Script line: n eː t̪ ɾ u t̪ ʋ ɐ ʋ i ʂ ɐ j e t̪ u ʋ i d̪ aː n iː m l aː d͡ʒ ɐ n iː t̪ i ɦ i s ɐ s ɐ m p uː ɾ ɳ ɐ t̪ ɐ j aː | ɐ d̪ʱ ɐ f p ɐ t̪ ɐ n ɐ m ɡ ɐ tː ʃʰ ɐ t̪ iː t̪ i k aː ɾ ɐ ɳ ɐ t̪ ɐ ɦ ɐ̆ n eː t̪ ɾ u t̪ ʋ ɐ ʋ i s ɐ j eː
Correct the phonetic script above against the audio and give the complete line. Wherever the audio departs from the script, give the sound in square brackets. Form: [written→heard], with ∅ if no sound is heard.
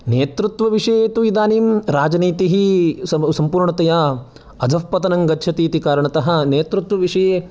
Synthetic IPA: n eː t̪ ɾ u t̪ ʋ ɐ ʋ i ʂ ɐ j e t̪ u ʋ i d̪ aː n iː m [l→ɾ] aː d͡ʒ ɐ n iː t̪ i ɦ i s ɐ s ɐ m p uː ɾ ɳ ɐ t̪ ɐ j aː | ɐ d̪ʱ ɐ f p ɐ t̪ ɐ n ɐ [m→ŋ] ɡ ɐ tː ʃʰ ɐ t̪ iː t̪ i k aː ɾ ɐ ɳ ɐ t̪ ɐ ɦ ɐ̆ n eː t̪ ɾ u t̪ ʋ ɐ ʋ i [s→ʂ] ɐ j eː